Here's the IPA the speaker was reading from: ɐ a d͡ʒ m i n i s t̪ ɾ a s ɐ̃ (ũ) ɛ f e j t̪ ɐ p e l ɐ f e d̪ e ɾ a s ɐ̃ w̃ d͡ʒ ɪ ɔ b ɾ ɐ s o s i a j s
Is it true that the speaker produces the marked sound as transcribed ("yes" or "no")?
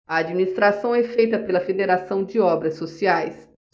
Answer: no